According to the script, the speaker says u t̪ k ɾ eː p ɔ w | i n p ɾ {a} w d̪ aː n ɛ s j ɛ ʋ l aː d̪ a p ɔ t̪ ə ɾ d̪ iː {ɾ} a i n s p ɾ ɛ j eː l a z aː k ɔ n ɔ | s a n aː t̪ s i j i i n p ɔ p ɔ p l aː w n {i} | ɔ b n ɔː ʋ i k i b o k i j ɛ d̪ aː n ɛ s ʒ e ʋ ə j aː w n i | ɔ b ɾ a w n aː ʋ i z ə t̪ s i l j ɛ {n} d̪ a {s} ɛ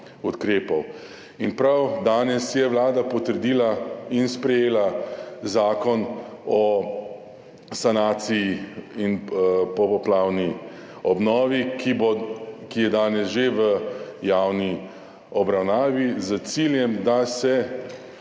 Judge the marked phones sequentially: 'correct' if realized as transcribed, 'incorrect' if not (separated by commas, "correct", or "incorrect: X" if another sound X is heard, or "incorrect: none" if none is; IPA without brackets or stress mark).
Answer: correct, incorrect: l, correct, incorrect: m, correct